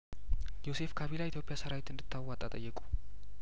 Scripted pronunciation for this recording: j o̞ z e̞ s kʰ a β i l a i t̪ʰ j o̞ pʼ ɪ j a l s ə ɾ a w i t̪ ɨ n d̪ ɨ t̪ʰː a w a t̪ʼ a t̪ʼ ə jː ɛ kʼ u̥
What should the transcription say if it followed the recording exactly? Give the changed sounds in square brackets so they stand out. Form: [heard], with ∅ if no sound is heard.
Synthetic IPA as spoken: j o̞ [s] e̞ [f] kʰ a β i l a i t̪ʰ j o̞ pʼ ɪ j a [∅] s ə ɾ a w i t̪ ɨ n d̪ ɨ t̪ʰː a w a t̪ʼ a t̪ʼ ə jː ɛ kʼ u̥